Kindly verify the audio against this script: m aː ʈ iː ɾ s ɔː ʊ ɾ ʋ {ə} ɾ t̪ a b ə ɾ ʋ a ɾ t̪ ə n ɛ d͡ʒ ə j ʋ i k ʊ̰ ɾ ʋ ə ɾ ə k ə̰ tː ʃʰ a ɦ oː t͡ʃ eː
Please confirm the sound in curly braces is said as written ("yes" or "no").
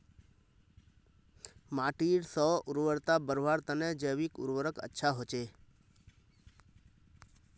yes